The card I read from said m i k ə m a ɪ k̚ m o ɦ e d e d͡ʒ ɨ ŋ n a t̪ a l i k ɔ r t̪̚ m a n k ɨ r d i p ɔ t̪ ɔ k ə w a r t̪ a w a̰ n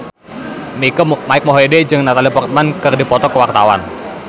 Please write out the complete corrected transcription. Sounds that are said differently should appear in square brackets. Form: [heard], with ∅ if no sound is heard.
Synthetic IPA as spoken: m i k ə m a ɪ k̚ m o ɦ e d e d͡ʒ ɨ ŋ n a t̪ a l i [p] ɔ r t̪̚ m a n k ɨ r d i p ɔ t̪ ɔ k ə w a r t̪ a w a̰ n